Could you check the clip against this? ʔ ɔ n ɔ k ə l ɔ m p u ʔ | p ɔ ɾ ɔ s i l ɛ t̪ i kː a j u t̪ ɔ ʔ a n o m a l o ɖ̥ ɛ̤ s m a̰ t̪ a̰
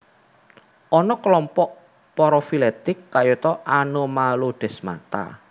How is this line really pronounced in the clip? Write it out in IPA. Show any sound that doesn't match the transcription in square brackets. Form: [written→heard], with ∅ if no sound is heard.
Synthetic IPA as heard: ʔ ɔ n ɔ k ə l ɔ m p [u→ɔ] ʔ | p ɔ ɾ ɔ [s→f] i l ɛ t̪ [i→ɪ] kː a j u t̪ ɔ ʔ a n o m a l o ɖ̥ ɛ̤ s m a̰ t̪ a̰